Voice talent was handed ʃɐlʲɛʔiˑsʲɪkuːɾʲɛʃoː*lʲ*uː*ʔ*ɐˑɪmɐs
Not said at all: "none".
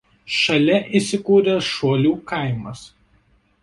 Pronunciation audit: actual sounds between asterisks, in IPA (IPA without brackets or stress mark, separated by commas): lʲ, k